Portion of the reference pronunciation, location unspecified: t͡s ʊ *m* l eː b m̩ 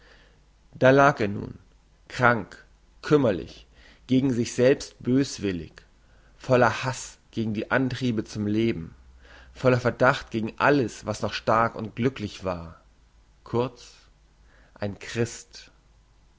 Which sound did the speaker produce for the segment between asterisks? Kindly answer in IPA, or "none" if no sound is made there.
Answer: m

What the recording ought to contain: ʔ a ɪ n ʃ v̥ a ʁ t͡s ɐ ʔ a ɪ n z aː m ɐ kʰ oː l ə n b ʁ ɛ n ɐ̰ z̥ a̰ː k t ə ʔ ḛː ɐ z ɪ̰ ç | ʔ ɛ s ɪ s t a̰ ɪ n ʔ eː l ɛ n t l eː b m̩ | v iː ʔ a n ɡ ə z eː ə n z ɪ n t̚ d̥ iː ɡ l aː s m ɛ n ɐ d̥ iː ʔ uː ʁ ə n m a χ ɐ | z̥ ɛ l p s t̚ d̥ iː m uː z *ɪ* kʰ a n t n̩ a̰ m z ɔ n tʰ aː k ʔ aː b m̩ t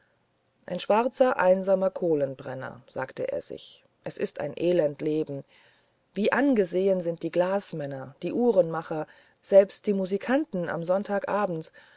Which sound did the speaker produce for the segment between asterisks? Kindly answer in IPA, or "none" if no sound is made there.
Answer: i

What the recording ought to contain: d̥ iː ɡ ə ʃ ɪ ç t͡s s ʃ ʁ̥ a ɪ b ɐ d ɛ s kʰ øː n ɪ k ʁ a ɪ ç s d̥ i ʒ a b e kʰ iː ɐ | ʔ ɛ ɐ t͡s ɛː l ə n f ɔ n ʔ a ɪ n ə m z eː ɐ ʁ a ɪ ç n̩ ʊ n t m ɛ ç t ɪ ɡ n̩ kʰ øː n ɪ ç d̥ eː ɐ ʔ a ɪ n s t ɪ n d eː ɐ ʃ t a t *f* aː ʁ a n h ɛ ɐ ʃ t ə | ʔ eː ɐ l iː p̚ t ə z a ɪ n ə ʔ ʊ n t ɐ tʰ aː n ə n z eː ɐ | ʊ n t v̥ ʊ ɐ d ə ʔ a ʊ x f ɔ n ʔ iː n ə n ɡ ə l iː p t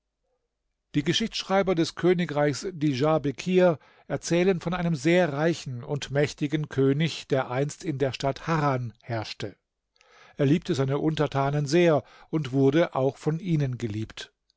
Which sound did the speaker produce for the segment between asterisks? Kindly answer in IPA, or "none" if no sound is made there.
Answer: h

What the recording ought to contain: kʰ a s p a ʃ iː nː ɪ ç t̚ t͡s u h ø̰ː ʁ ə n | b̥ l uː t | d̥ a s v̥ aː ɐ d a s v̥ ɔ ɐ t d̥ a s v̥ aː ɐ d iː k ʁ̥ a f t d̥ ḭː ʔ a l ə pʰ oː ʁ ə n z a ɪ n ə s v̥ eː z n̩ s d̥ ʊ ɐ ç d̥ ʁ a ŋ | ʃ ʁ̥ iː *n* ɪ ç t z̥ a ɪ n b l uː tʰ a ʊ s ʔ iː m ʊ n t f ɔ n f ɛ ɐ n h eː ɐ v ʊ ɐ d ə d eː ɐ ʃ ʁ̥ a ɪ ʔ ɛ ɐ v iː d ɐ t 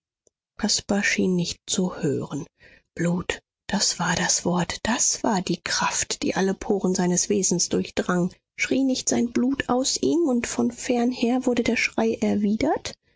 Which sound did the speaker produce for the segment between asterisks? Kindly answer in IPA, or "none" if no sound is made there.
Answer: n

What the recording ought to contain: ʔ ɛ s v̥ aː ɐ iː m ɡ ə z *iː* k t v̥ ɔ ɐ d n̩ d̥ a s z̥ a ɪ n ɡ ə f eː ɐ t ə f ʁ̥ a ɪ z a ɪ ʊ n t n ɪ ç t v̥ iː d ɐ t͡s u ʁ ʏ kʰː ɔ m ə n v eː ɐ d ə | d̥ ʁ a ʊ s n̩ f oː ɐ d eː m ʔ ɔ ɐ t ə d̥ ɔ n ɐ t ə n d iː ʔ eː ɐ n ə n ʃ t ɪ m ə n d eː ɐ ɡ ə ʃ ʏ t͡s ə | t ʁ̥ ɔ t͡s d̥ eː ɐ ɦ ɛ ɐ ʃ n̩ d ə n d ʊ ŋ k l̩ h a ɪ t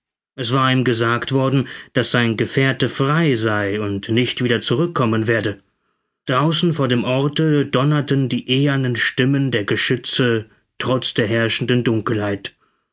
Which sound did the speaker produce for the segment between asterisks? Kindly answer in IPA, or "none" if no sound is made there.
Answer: aː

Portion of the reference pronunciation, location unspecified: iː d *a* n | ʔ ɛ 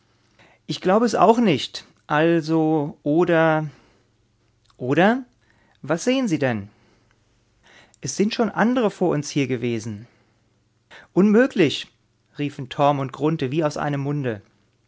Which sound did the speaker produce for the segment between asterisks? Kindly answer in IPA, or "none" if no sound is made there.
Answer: ɛ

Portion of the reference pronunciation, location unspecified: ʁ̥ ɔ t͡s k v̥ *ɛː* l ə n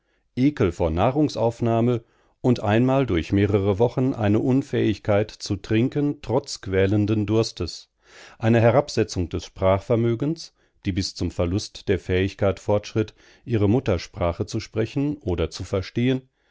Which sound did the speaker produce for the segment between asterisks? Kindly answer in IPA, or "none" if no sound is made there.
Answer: ɛː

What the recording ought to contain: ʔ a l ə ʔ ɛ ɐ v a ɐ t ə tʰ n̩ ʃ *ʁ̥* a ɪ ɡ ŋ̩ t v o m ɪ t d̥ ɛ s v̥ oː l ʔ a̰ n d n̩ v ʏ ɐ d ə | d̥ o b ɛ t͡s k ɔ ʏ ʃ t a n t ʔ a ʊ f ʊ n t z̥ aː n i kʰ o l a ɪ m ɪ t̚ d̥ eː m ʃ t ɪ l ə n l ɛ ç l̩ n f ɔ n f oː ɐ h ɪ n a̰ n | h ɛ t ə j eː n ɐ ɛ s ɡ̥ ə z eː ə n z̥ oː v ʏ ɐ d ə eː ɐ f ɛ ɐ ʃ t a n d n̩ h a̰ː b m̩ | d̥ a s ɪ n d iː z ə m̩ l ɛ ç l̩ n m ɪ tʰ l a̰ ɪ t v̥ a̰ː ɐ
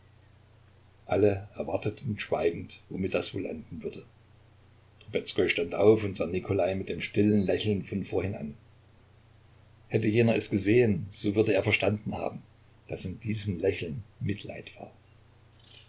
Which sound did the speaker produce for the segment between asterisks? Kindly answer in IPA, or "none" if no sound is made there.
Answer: v̥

